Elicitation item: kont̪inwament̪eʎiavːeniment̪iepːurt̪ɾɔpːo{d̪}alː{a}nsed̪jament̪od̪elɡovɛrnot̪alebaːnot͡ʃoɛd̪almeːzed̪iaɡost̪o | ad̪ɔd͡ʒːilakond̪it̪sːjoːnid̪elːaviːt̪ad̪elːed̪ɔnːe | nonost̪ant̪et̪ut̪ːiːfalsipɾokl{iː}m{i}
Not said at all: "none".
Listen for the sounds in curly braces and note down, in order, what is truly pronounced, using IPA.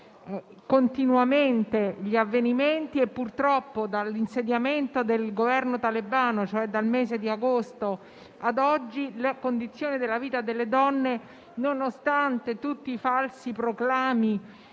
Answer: d̪, i, aː, i

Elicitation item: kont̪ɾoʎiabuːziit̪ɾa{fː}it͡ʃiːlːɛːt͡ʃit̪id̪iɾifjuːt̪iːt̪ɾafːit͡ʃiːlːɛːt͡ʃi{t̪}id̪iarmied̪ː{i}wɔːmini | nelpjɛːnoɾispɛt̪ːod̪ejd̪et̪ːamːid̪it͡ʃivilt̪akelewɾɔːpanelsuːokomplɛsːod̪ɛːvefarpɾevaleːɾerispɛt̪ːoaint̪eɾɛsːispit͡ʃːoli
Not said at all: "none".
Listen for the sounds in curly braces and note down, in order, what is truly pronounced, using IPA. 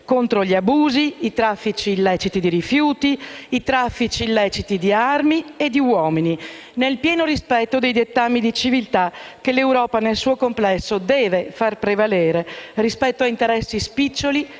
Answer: fː, t̪, i

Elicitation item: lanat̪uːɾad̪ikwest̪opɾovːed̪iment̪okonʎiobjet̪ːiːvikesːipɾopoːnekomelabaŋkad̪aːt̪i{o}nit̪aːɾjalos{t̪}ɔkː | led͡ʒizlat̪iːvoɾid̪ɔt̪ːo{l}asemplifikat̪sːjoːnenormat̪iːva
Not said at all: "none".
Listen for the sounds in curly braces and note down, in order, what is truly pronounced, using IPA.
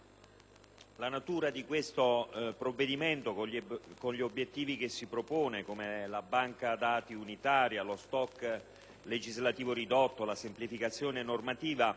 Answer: u, t̪, l

